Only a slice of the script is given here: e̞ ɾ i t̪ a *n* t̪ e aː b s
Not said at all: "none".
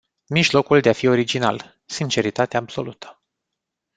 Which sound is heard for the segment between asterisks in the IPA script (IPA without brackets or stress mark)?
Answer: none